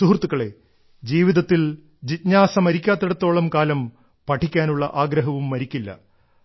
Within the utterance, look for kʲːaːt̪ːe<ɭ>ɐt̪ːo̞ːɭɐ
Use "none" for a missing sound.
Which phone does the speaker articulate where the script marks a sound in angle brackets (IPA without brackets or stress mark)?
ɽ